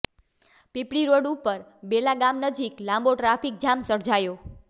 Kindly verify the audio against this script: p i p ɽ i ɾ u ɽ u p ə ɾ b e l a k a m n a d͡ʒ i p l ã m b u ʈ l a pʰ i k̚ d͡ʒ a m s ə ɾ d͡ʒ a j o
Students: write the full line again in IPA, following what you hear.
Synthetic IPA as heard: p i p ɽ i ɾ o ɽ u p ə ɾ b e l a ɡ a m n ə d͡ʒ i k l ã m b o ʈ ɾ a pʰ i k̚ d͡ʒ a m s ə ɾ d͡ʒ a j o